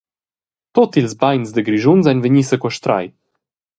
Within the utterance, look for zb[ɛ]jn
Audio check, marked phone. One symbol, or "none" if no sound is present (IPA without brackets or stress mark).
a